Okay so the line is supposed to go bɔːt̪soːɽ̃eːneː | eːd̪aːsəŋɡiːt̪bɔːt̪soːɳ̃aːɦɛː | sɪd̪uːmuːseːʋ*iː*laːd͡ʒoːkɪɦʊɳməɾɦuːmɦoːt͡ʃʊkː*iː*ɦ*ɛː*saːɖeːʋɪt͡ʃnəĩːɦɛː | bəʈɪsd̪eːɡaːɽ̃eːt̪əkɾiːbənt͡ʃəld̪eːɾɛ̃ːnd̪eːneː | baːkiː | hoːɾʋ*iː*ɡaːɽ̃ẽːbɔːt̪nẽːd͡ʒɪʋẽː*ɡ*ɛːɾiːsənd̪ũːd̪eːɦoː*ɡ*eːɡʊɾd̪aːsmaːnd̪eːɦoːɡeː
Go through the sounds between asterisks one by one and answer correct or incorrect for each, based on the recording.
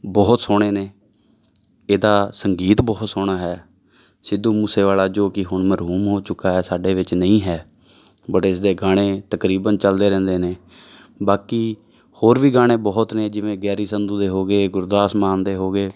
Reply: incorrect, incorrect, correct, correct, correct, correct

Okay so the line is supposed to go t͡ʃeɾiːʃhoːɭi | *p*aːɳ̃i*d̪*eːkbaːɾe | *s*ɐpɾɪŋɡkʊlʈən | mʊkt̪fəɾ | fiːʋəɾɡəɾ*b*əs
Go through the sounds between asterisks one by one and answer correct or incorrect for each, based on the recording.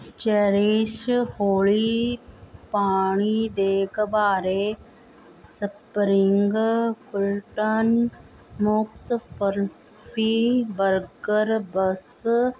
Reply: correct, correct, correct, correct

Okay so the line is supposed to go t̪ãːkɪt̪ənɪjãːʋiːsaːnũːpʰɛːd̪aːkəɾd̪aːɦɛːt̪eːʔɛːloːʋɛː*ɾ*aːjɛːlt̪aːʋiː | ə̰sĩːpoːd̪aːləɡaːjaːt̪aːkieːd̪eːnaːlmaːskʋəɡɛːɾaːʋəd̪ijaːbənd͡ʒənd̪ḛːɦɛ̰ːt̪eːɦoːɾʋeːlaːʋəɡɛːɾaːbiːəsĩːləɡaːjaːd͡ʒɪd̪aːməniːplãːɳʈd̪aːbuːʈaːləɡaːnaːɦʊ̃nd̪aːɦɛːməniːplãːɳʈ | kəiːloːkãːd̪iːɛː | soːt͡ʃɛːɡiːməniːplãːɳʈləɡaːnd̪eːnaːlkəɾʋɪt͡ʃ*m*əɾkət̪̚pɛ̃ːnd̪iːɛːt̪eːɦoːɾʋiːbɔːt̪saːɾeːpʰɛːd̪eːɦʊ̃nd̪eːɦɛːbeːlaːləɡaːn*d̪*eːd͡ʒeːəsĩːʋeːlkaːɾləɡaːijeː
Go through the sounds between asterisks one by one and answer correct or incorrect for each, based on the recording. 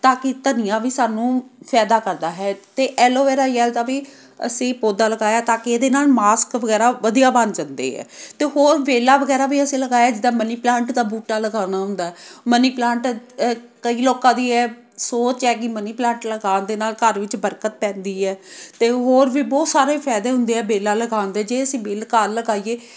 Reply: correct, incorrect, correct

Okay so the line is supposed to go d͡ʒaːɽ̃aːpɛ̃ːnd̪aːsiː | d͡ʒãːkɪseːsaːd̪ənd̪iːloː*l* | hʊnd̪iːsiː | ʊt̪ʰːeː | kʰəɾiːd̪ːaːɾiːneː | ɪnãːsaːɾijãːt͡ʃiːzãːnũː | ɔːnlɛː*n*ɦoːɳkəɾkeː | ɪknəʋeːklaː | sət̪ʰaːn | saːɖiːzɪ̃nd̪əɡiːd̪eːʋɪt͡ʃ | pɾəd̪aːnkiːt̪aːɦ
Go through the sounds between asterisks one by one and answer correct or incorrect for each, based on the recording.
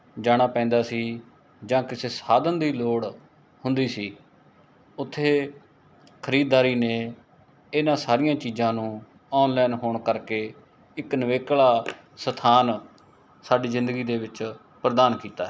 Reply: incorrect, correct

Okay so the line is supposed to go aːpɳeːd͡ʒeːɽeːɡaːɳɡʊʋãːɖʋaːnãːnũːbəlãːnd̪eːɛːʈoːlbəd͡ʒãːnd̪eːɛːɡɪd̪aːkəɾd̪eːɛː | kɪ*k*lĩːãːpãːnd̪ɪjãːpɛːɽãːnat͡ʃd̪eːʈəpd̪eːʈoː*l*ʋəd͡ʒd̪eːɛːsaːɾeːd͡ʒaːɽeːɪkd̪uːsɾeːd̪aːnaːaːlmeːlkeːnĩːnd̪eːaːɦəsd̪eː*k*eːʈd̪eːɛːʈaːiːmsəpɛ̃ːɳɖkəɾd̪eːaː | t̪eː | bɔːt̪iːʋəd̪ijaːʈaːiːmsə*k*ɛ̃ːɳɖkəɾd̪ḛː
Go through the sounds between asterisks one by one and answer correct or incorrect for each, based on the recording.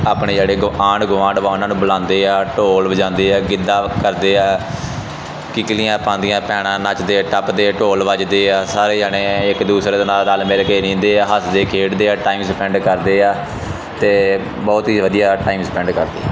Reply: correct, correct, incorrect, incorrect

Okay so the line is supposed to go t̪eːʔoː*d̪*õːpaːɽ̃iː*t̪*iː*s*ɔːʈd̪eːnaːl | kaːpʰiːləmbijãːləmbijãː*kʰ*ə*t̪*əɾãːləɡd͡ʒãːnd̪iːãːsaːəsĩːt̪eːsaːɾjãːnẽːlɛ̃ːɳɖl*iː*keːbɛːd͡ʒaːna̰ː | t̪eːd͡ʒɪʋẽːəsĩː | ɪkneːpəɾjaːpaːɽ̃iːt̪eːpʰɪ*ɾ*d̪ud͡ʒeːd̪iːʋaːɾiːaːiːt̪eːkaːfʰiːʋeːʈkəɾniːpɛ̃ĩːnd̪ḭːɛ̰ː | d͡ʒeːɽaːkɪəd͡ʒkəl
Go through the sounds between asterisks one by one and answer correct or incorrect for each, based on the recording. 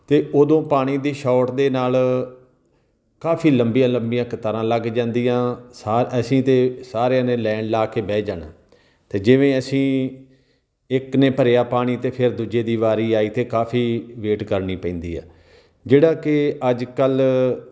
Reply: correct, incorrect, incorrect, incorrect, correct, incorrect, correct

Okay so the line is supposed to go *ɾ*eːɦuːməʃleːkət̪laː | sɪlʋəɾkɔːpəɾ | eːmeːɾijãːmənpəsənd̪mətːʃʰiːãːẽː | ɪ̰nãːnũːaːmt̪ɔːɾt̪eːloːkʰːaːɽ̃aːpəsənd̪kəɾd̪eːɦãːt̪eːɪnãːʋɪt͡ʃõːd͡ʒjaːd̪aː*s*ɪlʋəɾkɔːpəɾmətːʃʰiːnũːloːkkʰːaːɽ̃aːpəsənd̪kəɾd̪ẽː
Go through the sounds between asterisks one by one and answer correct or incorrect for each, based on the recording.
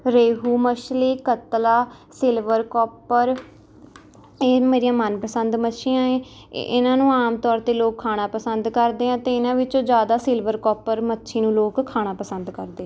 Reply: correct, correct

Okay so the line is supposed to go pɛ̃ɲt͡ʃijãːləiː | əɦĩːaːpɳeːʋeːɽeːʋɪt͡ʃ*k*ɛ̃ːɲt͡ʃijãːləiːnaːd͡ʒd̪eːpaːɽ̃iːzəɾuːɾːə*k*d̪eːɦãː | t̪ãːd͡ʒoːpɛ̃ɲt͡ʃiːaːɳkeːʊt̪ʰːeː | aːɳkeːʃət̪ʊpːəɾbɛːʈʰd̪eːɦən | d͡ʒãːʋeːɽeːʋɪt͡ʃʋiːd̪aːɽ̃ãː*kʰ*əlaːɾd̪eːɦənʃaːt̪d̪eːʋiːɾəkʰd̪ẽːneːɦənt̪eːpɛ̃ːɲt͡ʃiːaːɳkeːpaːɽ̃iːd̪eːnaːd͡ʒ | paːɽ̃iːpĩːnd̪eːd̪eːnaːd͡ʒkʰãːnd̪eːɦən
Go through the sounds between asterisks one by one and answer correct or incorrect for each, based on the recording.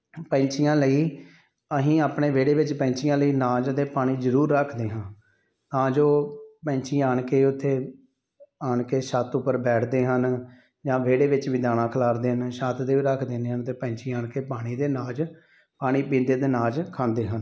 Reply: incorrect, incorrect, correct

